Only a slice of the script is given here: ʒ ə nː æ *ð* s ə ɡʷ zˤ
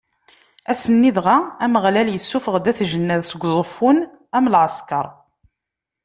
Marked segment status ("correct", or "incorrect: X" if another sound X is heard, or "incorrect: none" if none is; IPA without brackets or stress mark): correct